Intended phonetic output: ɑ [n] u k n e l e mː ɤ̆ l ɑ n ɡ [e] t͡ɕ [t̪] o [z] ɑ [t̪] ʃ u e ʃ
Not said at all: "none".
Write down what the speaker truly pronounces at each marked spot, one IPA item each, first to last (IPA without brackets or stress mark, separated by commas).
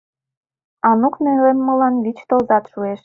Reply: n, i, t̪, z, t̪